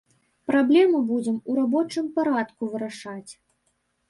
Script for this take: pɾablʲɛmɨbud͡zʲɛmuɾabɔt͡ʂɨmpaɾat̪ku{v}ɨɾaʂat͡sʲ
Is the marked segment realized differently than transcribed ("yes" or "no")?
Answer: no